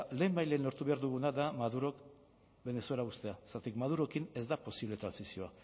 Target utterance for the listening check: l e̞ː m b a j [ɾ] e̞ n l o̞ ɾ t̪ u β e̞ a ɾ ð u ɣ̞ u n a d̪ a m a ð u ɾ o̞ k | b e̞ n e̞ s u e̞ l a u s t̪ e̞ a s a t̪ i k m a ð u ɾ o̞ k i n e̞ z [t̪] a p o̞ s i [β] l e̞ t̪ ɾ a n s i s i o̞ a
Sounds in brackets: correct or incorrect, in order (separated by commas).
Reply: incorrect, incorrect, correct